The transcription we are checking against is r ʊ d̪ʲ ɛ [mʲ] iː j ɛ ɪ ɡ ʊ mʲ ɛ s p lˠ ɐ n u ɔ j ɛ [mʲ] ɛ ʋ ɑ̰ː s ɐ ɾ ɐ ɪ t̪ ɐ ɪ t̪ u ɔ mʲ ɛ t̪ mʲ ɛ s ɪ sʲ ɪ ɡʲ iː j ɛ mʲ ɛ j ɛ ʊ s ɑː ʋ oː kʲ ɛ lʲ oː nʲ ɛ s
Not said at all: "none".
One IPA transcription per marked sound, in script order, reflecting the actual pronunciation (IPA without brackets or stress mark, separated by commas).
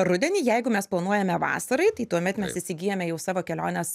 nʲ, mʲ